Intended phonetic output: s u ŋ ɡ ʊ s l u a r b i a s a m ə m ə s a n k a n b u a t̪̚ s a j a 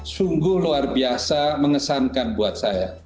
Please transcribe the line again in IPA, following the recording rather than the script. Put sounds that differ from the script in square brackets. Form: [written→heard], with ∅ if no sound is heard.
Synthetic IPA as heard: s u ŋ ɡ ʊ [s→h] l u a r b i a s a m ə [m→ŋ] ə s a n k a n b u a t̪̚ s a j a